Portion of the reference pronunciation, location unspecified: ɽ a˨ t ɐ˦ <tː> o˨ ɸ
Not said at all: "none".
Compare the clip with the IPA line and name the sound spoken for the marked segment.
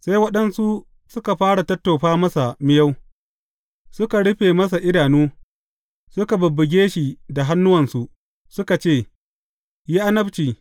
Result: tː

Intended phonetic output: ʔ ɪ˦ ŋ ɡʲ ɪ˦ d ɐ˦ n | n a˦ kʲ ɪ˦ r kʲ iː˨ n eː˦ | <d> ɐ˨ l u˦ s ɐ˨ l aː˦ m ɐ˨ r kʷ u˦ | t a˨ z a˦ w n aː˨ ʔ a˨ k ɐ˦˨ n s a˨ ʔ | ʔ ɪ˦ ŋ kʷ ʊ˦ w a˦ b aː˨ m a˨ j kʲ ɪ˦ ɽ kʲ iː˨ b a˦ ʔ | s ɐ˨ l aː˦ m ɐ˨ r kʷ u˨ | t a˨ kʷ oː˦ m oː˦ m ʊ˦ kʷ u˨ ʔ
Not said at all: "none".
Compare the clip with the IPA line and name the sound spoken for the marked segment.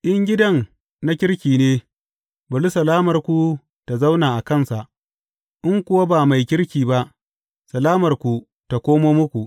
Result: b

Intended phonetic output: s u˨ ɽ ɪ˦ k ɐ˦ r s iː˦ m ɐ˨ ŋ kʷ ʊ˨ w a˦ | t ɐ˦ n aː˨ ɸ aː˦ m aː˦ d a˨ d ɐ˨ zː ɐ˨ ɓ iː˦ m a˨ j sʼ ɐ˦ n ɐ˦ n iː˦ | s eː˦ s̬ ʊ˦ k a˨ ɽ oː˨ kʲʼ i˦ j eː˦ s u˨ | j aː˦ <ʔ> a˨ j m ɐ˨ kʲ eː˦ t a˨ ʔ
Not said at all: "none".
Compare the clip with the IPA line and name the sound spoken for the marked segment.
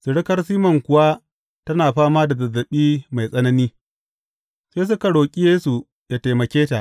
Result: t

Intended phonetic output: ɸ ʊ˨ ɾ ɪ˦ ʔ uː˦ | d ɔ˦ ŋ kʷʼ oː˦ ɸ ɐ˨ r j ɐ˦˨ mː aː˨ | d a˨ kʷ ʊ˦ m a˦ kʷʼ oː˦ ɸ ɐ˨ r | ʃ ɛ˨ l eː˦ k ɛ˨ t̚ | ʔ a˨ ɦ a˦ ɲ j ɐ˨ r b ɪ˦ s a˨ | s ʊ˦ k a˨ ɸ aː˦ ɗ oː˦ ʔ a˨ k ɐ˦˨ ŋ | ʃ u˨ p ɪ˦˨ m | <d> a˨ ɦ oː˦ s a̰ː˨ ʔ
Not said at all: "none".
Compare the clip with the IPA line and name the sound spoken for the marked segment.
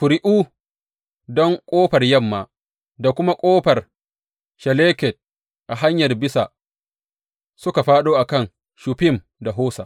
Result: d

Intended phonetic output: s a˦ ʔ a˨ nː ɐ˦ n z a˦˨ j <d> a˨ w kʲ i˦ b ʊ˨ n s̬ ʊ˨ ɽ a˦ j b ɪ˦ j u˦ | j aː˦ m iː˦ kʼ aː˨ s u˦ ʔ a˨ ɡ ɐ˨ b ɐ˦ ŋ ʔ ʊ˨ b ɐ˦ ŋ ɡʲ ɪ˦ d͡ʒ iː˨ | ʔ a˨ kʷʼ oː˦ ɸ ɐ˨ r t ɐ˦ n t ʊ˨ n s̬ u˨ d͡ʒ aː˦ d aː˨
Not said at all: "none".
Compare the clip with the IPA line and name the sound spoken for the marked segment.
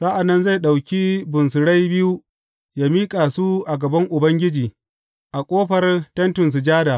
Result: ɗ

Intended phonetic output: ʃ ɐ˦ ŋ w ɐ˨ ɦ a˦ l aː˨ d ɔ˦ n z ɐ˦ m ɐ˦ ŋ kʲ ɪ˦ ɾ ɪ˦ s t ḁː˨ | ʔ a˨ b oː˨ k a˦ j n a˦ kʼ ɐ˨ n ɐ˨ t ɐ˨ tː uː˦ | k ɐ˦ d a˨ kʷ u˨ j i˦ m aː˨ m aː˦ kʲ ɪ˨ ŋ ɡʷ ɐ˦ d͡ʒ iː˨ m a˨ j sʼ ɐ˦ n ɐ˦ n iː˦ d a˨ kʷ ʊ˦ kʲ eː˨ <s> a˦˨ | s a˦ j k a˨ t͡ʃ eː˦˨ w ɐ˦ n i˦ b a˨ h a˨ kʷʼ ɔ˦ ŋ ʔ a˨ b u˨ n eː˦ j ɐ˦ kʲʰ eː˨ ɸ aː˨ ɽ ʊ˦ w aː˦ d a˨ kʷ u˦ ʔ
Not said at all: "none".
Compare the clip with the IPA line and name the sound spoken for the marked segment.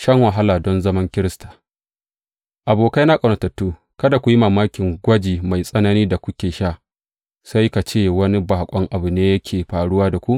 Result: ʃ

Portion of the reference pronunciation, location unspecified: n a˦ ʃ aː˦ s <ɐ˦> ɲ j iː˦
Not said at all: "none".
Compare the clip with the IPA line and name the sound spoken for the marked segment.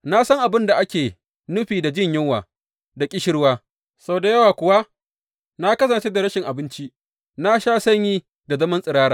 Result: ɐ˦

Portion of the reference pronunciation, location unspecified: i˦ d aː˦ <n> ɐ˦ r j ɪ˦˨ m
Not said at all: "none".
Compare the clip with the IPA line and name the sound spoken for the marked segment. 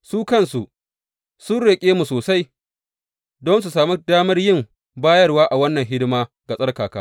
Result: m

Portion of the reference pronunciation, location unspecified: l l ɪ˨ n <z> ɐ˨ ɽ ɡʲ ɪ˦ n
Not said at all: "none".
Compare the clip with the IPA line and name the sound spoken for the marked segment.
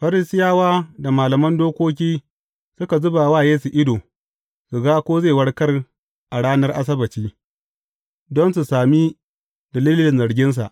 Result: z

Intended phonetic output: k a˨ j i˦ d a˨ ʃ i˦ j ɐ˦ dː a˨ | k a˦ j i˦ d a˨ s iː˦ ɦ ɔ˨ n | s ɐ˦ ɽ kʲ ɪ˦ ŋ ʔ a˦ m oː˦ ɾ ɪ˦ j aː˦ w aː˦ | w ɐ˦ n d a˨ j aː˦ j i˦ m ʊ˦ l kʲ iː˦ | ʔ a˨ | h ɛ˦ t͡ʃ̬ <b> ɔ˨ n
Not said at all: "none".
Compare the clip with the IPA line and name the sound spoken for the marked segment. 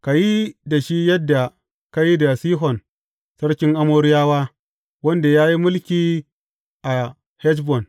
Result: b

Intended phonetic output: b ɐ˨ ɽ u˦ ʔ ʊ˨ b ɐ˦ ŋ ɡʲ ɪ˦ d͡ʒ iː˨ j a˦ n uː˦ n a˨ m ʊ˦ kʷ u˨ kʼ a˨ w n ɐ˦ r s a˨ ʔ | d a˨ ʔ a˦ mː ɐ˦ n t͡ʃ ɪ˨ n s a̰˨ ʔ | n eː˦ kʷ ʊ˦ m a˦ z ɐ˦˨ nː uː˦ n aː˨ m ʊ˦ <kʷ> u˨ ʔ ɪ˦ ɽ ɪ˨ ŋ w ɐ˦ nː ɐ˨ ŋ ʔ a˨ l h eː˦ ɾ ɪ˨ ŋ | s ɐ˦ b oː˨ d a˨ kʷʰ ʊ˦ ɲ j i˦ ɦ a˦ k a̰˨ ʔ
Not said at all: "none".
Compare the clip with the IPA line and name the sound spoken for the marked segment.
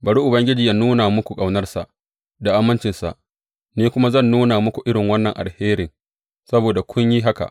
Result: kʷ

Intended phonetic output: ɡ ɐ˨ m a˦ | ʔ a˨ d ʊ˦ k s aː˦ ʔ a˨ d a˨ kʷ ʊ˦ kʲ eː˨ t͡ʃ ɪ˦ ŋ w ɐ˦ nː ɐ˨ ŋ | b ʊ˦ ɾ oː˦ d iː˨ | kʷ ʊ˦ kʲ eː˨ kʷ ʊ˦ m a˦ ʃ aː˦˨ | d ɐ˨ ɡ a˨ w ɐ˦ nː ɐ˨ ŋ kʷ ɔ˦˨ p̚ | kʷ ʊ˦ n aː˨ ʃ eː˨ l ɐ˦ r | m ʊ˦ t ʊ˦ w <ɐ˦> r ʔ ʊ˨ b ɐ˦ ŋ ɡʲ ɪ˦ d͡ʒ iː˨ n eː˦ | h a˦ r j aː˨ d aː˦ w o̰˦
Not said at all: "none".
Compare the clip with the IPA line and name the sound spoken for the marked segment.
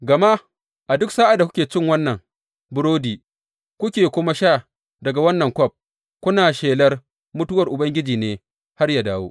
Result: ɐ˨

